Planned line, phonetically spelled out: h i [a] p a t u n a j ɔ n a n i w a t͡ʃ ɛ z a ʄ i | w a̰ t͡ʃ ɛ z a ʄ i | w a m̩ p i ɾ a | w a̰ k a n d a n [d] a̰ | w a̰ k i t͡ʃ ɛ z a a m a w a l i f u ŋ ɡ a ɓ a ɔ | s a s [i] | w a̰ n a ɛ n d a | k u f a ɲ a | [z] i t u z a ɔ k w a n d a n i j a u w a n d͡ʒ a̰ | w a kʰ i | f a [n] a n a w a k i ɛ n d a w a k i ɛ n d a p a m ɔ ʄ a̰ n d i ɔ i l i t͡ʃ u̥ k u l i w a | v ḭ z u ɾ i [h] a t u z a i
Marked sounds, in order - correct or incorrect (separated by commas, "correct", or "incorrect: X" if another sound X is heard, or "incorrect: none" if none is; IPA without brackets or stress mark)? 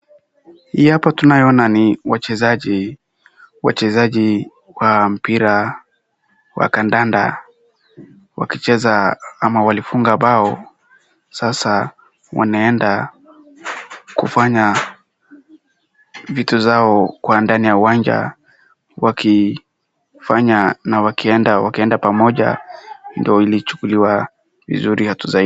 correct, correct, incorrect: a, incorrect: v, incorrect: ɲ, correct